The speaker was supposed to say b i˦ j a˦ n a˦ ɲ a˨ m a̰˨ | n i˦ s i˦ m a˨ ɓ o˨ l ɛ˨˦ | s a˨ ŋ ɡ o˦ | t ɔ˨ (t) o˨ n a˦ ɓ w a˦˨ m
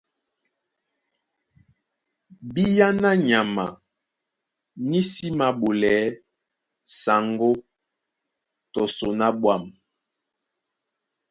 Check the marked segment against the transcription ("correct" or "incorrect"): incorrect